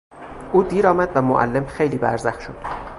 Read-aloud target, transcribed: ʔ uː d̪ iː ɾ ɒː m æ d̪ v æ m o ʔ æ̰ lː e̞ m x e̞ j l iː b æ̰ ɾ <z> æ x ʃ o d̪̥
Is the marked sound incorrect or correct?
correct